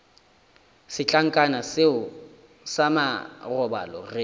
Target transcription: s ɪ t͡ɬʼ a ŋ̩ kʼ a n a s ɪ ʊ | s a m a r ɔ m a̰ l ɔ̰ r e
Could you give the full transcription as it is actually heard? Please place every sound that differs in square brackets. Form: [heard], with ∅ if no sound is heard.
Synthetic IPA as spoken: s ɪ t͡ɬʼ a ŋ̩ kʼ a n a s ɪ ʊ | s a m a r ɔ [b] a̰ l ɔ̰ r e

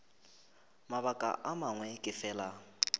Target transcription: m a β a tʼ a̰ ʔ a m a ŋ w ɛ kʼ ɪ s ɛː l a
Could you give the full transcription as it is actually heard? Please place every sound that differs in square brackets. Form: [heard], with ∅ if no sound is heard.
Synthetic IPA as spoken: m a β a [kʼ] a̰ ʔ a m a ŋ w ɛ kʼ ɪ [f] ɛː l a

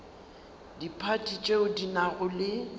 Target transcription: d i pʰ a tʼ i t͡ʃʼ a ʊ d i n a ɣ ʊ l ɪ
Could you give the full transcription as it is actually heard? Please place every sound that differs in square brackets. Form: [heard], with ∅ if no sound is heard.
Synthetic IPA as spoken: d i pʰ a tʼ i t͡ʃʼ [e] ʊ d i n a ɣ ʊ l ɪ

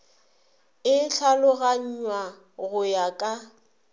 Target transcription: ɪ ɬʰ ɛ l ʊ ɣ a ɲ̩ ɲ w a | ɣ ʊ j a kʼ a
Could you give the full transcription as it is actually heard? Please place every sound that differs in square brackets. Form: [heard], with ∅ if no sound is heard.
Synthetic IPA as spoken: ɪ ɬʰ [a] l ʊ ɣ a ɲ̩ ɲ w a | ɣ ʊ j a kʼ a

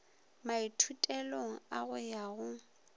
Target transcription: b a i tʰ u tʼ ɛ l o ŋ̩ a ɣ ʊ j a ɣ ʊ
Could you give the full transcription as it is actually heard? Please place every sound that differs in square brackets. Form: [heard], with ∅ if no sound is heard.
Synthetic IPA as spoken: [m] a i tʰ u tʼ ɛ l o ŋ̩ a ɣ ʊ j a ɣ ʊ

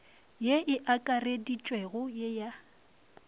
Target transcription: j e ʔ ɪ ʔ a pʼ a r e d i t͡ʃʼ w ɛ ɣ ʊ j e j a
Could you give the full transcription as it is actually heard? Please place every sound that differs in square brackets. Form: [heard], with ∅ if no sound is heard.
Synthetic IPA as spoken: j e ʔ ɪ ʔ a [kʼ] a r e d i t͡ʃʼ w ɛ ɣ ʊ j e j a

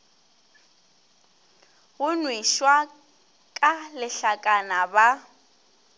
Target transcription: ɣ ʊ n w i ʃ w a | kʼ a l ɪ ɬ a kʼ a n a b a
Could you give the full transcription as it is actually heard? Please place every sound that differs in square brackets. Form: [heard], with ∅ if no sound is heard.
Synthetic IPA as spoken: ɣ ʊ n w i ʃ w a | kʼ a l ɪ ɬ a kʼ a n a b a

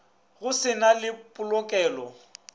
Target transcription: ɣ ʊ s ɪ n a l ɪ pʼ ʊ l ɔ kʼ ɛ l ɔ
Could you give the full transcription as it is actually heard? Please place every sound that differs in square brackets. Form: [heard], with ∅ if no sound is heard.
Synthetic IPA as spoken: ɣ ʊ s ɪ n a l ɪ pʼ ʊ l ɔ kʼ [ɛː] l ɔ

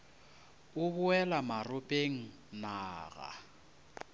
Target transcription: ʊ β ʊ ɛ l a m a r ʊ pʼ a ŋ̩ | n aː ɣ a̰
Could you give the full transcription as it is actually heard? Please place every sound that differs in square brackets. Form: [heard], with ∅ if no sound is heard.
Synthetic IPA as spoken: ʊ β ʊ ɛ l a m a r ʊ pʼ [e] ŋ̩ | n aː ɣ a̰

